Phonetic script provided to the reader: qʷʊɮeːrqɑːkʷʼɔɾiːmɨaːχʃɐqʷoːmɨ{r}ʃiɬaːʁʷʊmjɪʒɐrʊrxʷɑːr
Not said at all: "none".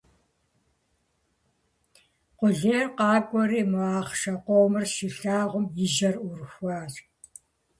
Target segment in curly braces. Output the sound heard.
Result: r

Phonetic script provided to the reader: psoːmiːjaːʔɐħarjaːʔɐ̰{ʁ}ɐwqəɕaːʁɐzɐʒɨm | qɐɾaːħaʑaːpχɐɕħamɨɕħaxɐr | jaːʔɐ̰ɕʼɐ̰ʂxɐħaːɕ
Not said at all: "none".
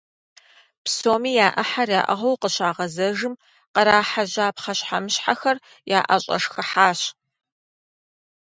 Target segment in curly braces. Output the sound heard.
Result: ʁ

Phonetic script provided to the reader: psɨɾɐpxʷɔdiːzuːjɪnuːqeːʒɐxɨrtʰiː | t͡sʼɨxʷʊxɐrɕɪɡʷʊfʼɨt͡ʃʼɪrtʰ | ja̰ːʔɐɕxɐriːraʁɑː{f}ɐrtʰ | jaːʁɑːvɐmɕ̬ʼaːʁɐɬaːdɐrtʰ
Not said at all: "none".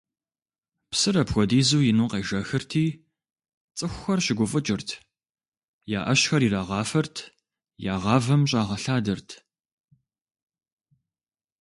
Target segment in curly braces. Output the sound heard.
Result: f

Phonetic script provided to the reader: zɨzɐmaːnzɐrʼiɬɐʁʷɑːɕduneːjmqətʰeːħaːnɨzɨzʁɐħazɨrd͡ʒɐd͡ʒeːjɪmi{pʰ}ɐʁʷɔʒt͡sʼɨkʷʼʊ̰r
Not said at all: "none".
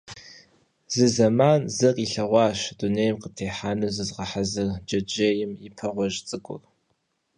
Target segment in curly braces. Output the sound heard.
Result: pʰ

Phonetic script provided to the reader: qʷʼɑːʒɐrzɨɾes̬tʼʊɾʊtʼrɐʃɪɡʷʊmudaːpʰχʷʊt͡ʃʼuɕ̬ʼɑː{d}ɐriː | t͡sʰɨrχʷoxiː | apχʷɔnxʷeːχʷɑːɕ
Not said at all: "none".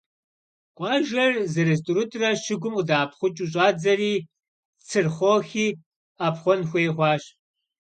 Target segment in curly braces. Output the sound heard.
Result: d͡z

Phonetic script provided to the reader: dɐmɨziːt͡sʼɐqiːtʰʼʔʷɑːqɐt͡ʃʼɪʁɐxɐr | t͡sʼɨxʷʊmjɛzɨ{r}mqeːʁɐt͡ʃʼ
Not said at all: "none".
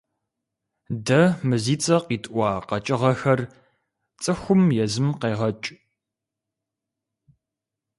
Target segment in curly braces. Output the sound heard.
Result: none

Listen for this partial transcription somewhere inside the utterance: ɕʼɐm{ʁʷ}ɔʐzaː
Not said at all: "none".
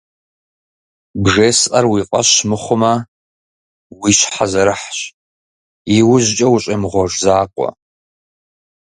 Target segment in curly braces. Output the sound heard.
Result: ʁʷ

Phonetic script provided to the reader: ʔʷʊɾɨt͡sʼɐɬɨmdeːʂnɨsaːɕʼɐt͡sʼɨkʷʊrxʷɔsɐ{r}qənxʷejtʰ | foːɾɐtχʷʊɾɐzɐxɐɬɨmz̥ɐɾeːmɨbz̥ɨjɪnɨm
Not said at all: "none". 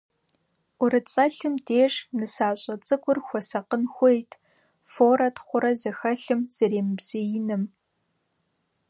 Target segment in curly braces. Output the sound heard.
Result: none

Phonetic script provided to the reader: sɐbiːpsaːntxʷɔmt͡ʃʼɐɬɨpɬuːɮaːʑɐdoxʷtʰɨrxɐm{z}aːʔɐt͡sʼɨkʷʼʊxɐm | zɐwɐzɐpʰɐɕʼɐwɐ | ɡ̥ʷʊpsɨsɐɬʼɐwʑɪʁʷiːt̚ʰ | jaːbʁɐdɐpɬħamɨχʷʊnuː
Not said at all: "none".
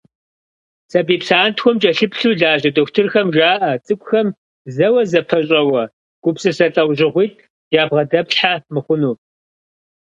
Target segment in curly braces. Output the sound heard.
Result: ʒ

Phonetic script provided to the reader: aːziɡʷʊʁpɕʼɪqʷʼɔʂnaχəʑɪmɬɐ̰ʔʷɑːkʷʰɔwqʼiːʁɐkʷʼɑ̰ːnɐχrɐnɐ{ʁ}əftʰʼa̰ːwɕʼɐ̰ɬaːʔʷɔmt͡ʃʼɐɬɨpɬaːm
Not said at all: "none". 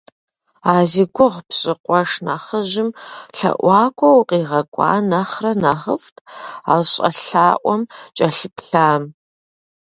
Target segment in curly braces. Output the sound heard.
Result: ʁ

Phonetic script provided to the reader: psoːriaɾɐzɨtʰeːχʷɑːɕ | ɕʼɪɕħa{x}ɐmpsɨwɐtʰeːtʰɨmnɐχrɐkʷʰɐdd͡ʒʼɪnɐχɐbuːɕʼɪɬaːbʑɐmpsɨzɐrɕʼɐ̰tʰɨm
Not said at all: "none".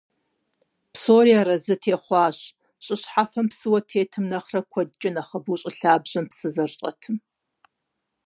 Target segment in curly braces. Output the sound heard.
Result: f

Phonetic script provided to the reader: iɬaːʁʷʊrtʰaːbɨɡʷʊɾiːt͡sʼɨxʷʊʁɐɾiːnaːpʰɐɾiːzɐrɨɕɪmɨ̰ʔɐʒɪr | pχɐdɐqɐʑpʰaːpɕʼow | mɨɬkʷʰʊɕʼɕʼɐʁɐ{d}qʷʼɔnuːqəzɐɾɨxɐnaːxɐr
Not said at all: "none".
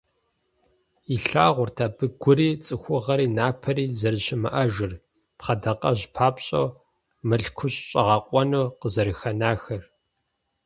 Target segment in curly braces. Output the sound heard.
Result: none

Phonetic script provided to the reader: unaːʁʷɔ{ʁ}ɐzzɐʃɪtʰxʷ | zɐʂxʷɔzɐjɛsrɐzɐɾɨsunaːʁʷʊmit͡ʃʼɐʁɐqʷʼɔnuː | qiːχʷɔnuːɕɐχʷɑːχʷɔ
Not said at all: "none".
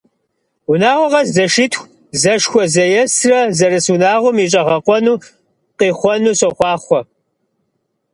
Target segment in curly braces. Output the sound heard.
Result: ʁ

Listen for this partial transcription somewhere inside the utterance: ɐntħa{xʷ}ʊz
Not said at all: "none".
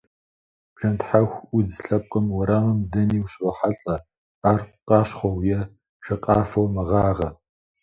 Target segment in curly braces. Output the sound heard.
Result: xʷ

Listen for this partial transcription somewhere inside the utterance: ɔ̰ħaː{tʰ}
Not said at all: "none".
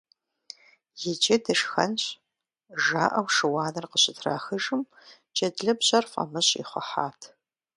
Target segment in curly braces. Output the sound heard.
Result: tʰ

